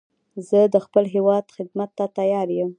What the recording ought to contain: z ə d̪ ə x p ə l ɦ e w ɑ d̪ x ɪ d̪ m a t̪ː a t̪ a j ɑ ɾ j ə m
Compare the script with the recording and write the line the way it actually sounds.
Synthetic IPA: z ə d̪ ə x p ə l ɦ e w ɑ d̪ x ɪ d̪ m a t̪ː a t̪ a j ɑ ɾ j ə m